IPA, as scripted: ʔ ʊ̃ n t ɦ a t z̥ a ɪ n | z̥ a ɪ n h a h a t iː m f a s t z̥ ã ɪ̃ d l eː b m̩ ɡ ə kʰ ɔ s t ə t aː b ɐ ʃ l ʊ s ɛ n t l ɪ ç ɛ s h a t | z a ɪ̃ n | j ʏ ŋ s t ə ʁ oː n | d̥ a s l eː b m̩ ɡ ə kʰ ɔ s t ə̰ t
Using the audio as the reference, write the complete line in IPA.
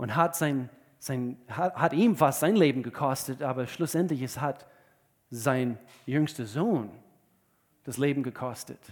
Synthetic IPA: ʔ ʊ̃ n t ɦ a t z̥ a ɪ n | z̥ a ɪ n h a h a t iː m f a s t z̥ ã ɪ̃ n l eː b m̩ ɡ ə kʰ ɔ s t ə t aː b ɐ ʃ l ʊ s ɛ n t l ɪ ç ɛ s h a t | z a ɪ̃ n | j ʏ ŋ s t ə z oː n | d̥ a s l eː b m̩ ɡ ə kʰ ɔ s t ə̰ t